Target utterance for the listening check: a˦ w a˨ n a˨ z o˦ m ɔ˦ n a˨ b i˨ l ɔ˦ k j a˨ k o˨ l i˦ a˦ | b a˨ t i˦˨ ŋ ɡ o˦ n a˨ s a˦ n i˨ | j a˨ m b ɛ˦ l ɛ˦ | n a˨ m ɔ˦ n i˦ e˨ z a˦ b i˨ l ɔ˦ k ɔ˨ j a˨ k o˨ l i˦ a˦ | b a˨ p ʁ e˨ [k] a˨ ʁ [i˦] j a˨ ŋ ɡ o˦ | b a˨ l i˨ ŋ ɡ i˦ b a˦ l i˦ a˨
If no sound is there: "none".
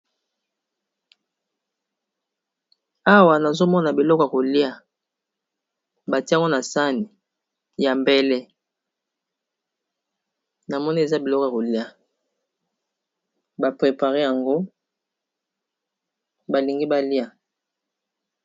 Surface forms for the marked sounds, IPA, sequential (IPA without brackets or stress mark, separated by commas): p, e˦